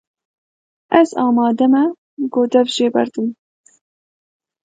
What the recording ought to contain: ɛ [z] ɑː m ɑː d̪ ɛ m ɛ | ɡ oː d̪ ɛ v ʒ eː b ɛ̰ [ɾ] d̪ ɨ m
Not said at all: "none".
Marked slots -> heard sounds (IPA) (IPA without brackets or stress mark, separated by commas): z, ɾ